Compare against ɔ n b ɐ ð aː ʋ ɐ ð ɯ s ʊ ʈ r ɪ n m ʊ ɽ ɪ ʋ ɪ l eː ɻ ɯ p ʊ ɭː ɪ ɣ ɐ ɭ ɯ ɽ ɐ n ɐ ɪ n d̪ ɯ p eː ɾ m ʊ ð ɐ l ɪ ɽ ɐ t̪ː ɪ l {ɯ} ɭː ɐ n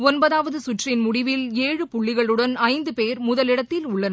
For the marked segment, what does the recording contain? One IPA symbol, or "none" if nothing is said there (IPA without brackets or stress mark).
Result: ʊ